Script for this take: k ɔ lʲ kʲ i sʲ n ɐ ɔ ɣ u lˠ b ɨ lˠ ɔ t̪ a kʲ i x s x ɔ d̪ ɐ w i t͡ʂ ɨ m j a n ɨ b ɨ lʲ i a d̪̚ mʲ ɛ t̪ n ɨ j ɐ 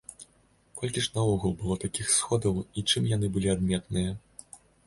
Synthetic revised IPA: k ɔ lʲ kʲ i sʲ n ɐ ɔ ɣ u lˠ b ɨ lˠ ɔ t̪ a kʲ i x s x ɔ d̪ ɐ w i t͡ʂ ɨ m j a n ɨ b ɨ lʲ i a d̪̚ mʲ ɛ t̪ n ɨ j ɐ